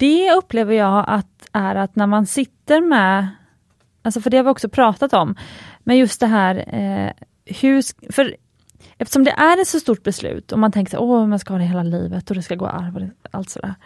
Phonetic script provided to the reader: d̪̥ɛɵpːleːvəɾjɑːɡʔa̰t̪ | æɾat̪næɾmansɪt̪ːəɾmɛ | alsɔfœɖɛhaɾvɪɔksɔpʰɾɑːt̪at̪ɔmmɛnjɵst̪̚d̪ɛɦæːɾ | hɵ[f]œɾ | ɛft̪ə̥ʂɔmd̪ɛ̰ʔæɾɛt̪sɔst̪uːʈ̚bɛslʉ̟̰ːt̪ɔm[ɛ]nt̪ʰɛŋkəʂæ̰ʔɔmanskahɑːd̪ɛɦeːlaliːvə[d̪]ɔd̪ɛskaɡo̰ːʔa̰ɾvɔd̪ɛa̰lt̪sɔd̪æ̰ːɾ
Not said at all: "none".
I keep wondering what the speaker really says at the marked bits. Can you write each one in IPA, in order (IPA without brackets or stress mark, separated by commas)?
f, a, t̪